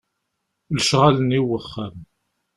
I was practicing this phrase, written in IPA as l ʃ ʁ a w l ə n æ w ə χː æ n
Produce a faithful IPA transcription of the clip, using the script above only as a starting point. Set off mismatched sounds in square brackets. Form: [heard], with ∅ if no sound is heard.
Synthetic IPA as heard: l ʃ ʁ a [∅] l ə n [i] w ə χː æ [m]

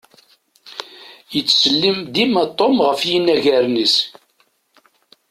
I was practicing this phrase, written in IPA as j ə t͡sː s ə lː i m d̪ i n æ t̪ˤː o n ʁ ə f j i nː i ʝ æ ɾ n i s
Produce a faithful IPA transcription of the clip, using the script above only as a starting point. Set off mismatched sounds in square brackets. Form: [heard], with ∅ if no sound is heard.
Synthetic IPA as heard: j ə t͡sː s ə lː i m d̪ i [m] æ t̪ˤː o [m] ʁ ə f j i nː [æ] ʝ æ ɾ n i s

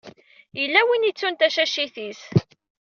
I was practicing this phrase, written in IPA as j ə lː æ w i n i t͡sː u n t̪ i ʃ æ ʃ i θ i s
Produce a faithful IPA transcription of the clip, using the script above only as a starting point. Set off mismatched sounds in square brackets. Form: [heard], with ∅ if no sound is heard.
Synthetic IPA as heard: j ə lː æ w i n i t͡sː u n t̪ [æ] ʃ æ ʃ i θ i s

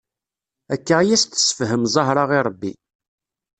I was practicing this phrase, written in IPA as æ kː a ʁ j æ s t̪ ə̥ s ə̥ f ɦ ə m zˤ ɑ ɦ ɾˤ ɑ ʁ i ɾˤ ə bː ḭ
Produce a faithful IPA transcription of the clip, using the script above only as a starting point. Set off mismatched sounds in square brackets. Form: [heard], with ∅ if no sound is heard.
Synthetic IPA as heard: æ kː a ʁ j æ s t̪ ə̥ s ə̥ f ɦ ə m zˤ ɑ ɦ ɾˤ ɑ ʁ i ɾˤ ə bː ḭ

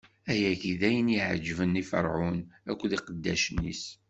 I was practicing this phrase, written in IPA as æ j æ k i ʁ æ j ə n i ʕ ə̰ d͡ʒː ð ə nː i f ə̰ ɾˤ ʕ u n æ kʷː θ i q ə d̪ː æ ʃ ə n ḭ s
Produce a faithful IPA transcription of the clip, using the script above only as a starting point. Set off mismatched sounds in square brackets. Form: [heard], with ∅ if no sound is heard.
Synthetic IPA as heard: æ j æ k i [ð] æ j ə n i ʕ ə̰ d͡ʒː [v] ə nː i f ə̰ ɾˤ ʕ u n æ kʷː [ð] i q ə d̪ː æ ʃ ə n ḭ s

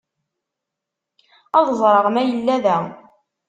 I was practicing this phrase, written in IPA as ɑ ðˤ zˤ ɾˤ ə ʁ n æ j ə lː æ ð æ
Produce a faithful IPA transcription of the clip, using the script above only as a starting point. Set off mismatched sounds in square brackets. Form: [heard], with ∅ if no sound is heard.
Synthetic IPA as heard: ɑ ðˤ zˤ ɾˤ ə ʁ [m] æ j ə lː æ ð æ

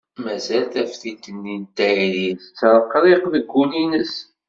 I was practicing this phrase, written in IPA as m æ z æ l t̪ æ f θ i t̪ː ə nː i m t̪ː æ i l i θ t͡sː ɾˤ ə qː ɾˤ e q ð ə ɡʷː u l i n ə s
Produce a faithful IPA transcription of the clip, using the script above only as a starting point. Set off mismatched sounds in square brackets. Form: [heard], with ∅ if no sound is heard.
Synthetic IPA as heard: m æ z æ l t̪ æ f θ i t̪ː ə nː i [n] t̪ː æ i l i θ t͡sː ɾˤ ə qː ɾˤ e q ð ə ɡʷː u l i n ə s

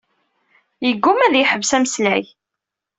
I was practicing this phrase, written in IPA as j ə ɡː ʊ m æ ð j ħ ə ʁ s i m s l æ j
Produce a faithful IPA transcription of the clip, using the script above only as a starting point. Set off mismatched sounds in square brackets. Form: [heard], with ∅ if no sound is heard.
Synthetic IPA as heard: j ə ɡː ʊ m æ ð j ħ ə [v] s [æ] m s l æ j

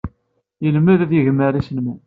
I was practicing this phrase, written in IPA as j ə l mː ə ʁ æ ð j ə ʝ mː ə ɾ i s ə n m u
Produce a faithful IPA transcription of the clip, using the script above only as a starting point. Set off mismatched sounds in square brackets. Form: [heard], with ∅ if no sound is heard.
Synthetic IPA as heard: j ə l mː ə [ð] æ ð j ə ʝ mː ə ɾ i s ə n m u

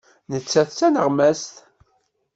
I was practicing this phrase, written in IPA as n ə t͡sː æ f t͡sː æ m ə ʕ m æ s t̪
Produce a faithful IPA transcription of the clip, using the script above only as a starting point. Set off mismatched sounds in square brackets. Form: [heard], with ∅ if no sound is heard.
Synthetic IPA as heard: n ə t͡sː æ [θ] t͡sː æ [n] ə [ʁ] m æ s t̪

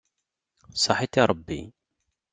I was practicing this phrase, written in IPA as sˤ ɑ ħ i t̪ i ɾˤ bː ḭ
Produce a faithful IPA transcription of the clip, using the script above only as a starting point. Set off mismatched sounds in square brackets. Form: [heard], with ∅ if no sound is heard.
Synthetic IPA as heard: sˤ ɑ ħ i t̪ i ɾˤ bː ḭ

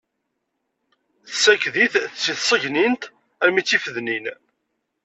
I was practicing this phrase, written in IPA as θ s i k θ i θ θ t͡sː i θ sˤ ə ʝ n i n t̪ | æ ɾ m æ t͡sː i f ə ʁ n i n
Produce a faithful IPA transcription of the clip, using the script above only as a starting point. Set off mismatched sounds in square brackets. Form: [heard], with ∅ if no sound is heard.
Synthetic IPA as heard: θ s [æ] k [ð] i θ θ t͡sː i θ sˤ ə ʝ n i n t̪ | æ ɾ m [i] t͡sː i f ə [ð] n i n

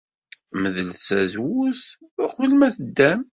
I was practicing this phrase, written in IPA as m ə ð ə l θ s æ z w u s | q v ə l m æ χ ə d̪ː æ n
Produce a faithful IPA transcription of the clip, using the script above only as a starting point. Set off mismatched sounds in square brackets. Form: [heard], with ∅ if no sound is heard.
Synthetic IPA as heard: m ə ð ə l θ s æ z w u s | q v ə l m æ [θ] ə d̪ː æ [m]

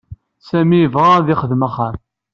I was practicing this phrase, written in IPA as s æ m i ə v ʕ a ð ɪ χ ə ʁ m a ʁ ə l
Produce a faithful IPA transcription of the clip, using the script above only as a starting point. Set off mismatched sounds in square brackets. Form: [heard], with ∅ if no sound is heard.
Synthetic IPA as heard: s æ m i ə v [ʁ] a ð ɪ χ ə [ð] m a [χ] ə [ɾ]

